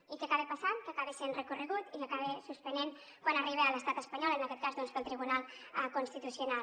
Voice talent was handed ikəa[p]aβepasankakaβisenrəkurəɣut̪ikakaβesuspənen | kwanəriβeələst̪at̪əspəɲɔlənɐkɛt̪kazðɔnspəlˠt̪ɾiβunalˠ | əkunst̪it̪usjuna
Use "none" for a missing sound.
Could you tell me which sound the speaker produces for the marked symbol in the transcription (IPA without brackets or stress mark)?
k